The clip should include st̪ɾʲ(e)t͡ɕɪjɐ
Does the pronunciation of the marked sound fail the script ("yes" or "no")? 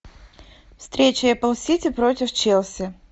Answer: no